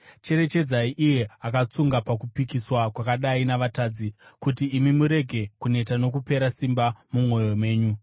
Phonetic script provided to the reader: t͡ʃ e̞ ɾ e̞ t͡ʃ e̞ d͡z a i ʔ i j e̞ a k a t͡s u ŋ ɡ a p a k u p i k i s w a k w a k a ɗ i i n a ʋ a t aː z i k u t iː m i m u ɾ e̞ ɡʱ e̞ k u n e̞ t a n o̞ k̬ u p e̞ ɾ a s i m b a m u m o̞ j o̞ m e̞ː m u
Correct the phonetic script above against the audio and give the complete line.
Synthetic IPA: t͡ʃ e̞ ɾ e̞ t͡ʃ e̞ d͡z a i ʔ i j e̞ a k a t͡s u ŋ ɡ a p a k u p i k i s w a k w a k a ɗ a i n a ʋ a t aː d͡z i k u t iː m i m u ɾ e̞ ɡʱ e̞ k u n e̞ t a n o̞ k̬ u p e̞ ɾ a s i m b a m u m o̞ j o̞ m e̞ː ɲ u